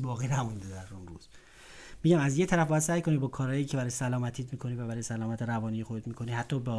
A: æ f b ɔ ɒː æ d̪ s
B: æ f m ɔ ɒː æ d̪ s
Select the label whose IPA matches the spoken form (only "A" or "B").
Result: A